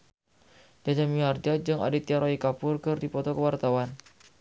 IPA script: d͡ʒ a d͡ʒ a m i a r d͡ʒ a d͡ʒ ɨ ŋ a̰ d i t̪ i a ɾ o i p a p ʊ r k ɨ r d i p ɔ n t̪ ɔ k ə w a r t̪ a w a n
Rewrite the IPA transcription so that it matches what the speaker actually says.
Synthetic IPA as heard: d͡ʒ a d͡ʒ a m i a r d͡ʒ a d͡ʒ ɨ ŋ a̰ d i t̪ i a ɾ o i k a p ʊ r k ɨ r d i p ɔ t̪ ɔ k ə w a r t̪ a w a n